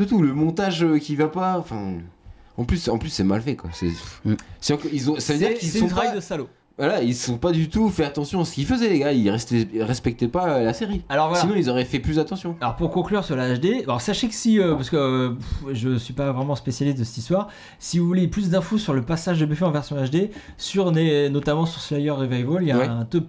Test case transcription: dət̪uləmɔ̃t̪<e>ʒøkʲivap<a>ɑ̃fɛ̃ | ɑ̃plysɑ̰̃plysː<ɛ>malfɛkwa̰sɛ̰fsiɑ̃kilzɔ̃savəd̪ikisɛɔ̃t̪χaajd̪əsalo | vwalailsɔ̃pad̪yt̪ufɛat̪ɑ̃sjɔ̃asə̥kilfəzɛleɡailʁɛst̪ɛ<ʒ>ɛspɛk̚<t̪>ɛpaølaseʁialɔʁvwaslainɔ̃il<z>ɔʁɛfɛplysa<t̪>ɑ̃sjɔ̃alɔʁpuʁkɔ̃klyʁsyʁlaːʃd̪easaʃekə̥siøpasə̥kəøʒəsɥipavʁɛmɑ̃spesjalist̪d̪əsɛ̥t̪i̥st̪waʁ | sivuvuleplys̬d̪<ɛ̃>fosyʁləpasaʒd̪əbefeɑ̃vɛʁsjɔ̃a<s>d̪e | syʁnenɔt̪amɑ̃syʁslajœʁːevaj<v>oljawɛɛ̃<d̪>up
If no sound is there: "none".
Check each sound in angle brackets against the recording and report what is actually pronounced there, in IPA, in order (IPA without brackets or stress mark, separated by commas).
a, a, ɛ, ʁ, t̪, z, t̪, ɛ̃, ʃ, v, t̪